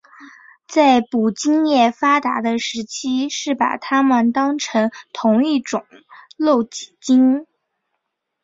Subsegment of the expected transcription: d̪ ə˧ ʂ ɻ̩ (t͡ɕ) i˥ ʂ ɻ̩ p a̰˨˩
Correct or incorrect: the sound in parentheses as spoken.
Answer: incorrect: t͡ɕʰ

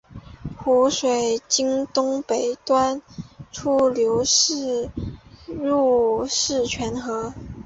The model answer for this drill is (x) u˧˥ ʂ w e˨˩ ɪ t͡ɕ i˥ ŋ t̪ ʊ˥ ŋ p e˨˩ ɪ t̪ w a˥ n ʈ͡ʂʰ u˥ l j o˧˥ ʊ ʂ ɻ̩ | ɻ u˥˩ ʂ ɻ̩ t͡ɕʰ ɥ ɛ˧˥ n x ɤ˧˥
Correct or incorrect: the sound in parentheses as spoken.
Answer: correct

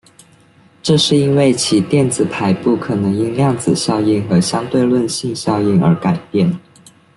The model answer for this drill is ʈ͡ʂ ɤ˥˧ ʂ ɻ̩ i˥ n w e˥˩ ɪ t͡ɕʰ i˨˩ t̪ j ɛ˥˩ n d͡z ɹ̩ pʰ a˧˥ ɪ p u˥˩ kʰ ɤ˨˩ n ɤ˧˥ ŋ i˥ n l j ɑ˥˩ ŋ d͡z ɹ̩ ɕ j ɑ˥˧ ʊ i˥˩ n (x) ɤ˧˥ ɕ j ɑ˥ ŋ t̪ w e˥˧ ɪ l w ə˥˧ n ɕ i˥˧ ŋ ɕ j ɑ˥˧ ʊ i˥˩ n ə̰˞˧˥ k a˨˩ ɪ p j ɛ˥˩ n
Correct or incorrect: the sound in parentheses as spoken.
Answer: correct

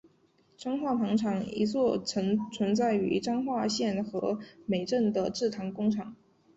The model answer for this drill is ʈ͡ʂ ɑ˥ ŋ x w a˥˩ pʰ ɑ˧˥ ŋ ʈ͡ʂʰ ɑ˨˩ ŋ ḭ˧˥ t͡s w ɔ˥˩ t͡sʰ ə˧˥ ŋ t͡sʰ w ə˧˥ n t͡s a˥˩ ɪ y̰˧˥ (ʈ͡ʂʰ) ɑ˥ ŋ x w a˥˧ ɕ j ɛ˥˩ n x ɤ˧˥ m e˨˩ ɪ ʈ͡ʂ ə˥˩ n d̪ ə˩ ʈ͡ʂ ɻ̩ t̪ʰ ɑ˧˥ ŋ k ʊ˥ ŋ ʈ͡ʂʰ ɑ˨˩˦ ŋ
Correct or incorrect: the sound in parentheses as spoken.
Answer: incorrect: ʈ͡ʂ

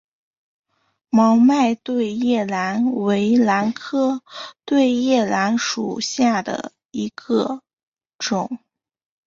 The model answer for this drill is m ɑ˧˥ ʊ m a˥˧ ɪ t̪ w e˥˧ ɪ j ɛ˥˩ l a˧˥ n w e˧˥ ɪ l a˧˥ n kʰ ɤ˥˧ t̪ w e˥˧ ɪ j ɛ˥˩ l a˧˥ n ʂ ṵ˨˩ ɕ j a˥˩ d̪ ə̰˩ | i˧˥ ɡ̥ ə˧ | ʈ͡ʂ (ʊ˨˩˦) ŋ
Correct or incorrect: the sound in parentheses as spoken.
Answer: correct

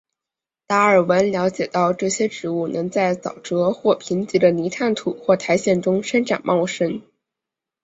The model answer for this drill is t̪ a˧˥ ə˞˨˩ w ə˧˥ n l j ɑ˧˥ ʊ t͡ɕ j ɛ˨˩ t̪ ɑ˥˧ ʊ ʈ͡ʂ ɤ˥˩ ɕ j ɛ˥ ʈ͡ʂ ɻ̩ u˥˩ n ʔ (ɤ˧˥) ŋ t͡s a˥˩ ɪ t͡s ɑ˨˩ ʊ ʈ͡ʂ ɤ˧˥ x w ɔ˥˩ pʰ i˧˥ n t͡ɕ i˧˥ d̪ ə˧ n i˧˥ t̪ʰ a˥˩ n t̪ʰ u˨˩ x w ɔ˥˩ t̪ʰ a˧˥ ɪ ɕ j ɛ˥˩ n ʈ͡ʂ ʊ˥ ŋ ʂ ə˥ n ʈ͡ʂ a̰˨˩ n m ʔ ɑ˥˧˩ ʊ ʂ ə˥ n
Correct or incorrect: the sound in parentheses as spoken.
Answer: correct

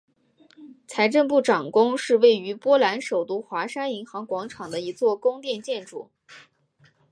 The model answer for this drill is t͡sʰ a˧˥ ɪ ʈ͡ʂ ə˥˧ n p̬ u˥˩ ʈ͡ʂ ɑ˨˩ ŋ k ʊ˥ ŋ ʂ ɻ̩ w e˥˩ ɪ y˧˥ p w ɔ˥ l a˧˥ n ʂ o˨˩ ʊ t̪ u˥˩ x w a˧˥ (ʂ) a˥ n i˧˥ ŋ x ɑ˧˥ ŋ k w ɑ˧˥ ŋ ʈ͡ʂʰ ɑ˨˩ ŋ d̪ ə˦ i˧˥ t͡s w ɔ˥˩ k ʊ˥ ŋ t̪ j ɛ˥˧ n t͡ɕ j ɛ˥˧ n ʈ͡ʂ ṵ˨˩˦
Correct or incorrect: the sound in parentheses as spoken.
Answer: correct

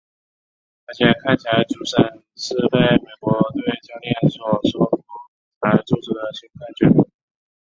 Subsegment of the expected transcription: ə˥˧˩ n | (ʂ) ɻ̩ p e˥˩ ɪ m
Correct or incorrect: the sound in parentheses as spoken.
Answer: correct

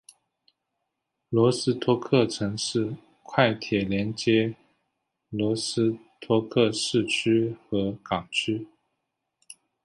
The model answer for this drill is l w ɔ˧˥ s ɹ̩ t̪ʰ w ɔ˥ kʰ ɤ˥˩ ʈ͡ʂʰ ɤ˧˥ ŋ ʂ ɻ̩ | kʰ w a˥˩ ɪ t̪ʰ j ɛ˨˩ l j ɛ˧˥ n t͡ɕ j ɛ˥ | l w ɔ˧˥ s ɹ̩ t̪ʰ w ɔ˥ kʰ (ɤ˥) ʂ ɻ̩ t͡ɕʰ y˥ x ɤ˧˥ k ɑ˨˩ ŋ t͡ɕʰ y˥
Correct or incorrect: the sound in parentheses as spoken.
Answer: incorrect: ɤ˥˧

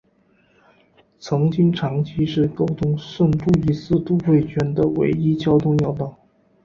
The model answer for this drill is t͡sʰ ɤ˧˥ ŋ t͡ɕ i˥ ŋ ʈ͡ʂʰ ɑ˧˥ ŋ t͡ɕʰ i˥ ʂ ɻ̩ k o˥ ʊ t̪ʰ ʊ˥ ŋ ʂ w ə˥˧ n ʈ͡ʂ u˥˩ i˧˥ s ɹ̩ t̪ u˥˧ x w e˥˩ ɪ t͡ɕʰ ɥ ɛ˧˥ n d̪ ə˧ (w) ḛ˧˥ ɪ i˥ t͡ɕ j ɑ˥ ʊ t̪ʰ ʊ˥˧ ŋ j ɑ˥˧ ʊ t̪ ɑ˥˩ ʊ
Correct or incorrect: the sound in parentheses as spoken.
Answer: correct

